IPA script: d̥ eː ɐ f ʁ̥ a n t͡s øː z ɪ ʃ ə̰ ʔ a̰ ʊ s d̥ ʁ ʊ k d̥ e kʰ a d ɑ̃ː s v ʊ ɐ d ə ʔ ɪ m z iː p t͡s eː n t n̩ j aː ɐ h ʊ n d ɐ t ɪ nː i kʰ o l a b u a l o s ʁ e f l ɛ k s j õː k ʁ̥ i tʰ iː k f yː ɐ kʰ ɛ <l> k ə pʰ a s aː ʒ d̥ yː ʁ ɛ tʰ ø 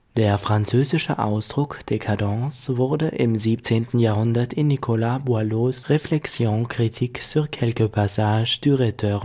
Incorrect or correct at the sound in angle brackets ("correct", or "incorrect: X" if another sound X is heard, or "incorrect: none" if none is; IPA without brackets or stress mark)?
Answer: correct